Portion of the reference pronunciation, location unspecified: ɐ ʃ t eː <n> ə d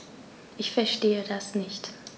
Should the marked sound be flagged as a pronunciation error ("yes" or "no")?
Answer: yes